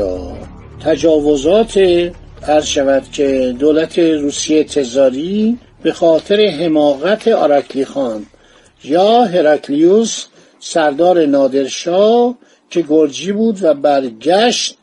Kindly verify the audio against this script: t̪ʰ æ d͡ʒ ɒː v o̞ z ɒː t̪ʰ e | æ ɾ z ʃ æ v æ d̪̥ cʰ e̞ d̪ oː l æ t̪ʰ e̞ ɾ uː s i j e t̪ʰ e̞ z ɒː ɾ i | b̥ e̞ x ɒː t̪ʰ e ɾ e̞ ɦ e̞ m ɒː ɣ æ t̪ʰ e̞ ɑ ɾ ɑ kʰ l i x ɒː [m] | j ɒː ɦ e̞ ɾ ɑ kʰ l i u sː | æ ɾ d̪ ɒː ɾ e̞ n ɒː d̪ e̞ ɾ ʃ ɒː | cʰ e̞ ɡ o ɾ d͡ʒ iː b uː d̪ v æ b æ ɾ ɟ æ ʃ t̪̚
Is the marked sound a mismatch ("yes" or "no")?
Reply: yes